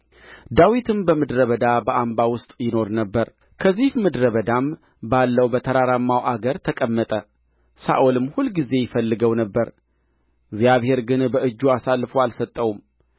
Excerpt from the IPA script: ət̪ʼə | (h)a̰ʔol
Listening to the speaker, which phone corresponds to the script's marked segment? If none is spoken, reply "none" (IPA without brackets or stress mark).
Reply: s